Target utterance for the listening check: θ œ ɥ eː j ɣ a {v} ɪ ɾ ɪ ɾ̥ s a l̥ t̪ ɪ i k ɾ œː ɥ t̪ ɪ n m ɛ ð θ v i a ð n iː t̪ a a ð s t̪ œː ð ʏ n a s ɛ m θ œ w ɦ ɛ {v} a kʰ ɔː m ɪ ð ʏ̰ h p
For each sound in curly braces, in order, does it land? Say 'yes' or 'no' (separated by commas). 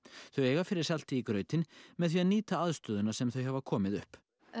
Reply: no, yes